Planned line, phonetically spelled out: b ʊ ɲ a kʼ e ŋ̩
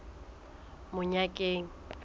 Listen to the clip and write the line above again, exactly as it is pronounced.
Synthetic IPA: m ʊ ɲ a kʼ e ŋ̩